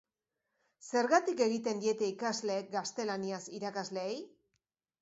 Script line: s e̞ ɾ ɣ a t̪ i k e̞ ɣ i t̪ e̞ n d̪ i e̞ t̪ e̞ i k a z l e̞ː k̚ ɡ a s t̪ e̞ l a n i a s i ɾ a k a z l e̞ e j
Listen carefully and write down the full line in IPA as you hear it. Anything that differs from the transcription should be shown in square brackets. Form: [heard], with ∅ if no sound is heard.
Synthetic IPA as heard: s e̞ ɾ ɣ a t̪ i k e̞ ɣ i t̪ e̞ n d̪ i e̞ t̪ e̞ i k a z l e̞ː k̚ ɡ a s t̪ e̞ l a n i a s i ɾ a k a z l e̞ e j